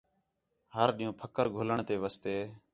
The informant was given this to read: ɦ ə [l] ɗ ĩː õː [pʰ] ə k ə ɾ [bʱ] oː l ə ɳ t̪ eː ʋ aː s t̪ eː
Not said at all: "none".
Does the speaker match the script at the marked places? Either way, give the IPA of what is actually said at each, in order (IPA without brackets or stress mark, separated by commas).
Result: ɾ, pʰ, ɡʱ